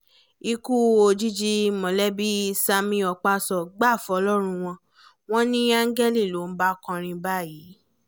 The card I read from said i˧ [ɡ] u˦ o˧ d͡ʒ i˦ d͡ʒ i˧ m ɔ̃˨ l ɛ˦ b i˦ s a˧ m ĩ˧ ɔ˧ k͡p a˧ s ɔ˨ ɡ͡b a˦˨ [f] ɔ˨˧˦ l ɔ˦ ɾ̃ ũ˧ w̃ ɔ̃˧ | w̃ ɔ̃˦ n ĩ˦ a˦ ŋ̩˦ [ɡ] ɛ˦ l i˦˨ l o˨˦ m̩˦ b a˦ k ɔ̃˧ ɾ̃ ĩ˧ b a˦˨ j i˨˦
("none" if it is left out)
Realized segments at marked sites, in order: k, f, ɡ

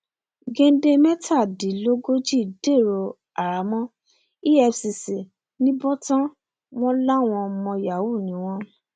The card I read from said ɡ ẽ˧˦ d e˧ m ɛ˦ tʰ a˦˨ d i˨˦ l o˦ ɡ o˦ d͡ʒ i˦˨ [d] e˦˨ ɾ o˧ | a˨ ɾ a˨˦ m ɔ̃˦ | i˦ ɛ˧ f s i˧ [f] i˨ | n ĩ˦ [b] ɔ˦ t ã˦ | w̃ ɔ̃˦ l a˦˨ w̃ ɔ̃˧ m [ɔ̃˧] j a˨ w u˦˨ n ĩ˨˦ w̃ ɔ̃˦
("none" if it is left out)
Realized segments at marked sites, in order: d, s, b, ɔ̃˧

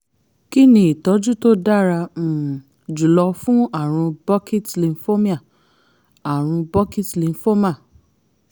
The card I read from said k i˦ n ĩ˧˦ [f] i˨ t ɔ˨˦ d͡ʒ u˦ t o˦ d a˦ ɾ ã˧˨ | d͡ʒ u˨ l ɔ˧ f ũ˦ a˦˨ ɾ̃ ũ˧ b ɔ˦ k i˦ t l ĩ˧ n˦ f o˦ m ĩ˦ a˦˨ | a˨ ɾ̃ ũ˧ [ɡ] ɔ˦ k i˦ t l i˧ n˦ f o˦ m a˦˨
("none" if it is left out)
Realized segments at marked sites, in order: none, b

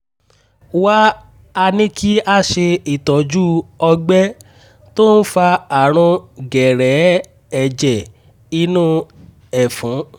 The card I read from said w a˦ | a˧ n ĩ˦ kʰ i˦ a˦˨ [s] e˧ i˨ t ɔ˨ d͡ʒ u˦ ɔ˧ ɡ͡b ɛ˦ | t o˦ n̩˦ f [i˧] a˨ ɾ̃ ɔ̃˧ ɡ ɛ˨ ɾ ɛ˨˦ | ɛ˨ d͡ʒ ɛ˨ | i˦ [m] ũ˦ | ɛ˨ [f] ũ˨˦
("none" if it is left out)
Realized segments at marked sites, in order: ʃ, a˧, n, f

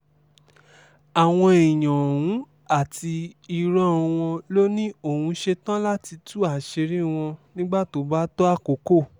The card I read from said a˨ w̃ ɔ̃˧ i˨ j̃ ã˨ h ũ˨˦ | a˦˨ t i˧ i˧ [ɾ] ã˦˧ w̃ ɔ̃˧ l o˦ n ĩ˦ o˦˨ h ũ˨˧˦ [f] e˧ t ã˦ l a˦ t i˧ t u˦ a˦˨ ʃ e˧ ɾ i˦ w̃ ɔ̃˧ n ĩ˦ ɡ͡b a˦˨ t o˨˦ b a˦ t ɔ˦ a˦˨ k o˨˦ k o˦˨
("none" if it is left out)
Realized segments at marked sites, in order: ɾ, ʃ

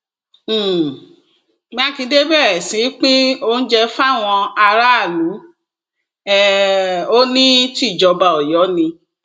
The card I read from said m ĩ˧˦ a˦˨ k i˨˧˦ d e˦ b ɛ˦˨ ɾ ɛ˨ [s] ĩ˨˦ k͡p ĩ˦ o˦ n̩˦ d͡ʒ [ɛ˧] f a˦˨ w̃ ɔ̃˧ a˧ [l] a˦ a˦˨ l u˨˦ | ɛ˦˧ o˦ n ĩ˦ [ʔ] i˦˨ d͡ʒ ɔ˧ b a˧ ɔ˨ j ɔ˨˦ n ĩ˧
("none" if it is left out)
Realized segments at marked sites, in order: s, ɛ˧, ɾ, t

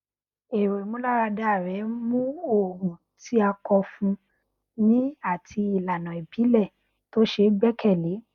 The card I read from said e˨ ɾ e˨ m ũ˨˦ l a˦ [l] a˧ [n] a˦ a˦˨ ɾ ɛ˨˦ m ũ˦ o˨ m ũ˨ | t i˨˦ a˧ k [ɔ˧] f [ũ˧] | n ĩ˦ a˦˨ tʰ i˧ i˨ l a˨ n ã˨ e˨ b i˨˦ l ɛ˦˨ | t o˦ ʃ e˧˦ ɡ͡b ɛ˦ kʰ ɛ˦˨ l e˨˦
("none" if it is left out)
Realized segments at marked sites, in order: ɾ, d, ɔ˧, ũ˧

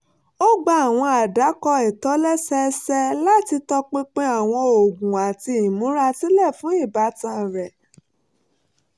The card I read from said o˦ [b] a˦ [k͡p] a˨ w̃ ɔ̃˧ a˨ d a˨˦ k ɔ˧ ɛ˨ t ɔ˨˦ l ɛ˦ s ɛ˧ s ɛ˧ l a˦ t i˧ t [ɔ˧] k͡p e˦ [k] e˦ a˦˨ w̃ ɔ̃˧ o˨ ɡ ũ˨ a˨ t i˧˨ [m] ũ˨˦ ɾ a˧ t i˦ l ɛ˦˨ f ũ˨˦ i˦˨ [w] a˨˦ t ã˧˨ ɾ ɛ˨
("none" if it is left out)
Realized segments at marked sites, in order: ɡ͡b, none, ɔ˧, k͡p, m, b

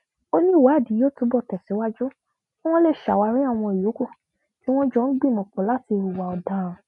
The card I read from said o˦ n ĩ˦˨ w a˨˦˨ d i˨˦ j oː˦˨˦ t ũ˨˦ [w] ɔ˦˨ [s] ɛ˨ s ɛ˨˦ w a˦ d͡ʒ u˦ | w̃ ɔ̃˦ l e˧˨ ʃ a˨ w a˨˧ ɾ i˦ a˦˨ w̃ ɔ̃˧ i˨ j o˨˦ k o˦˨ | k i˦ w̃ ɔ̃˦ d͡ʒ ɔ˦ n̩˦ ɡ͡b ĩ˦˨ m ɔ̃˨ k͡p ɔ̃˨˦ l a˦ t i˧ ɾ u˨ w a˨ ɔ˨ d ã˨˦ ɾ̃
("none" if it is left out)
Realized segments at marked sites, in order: b, t

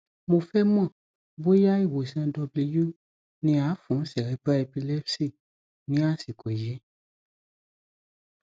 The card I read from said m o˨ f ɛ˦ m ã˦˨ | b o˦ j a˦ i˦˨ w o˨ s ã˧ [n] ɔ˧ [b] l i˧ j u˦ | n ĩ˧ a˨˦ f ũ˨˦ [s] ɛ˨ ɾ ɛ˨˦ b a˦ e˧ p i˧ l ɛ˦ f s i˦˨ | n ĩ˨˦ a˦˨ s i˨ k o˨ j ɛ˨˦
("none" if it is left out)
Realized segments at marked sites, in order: d, b, s

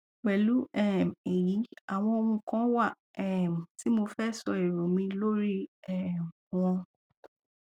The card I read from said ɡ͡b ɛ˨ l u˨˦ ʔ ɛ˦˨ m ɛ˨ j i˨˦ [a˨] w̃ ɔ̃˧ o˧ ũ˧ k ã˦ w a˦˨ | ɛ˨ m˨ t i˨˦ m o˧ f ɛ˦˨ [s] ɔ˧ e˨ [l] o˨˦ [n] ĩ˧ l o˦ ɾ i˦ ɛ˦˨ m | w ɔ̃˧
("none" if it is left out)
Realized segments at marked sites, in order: a˨, s, ɾ, m

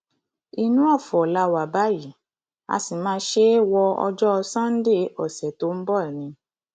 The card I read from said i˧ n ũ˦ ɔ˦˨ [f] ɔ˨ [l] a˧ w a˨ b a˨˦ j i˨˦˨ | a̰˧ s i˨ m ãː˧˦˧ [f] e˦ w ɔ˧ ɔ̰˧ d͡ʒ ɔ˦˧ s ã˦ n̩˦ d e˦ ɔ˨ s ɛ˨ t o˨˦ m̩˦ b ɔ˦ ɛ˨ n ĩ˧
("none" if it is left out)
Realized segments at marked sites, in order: f, l, ʃ

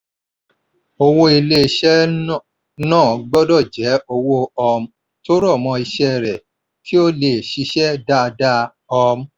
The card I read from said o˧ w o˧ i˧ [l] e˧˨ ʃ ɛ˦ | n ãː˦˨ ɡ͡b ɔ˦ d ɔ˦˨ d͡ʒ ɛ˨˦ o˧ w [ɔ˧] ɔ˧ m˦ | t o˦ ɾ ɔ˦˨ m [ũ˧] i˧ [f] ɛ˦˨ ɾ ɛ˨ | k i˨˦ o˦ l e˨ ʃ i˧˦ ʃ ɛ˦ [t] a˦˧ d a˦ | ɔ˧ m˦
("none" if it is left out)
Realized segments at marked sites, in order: l, o˧, ɔ̃˧, ʃ, d

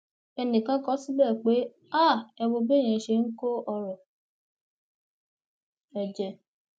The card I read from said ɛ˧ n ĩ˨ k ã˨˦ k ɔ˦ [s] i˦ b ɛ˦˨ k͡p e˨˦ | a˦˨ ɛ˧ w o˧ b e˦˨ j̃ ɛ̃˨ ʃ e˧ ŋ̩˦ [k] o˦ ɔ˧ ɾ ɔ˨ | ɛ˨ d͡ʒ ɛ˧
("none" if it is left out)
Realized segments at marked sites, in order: s, k

